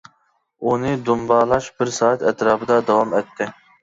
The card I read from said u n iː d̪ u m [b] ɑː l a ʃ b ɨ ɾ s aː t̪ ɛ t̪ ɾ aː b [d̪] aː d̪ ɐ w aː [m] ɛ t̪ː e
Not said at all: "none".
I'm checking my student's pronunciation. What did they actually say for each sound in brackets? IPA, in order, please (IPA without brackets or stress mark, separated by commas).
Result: b, d̪, m